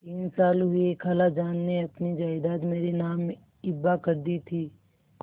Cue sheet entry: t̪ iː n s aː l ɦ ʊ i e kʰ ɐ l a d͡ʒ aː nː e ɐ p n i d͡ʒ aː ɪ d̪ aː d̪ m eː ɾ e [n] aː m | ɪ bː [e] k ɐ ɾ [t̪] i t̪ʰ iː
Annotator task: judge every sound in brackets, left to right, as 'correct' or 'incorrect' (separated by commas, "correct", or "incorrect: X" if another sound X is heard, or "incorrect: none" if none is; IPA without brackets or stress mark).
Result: correct, incorrect: a, incorrect: d̪